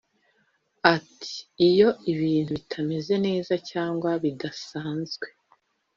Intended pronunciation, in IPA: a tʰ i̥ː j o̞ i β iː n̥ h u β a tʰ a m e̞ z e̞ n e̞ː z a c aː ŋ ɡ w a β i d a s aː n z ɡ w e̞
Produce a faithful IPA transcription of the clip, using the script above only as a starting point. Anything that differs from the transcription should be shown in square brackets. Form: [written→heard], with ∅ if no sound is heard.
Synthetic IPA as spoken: a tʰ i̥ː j o̞ i β iː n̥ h u β [a→i] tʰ a m e̞ z e̞ n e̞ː z a c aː ŋ ɡ w a β i d a s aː n z ɡ w e̞